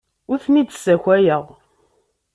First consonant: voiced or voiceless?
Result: voiceless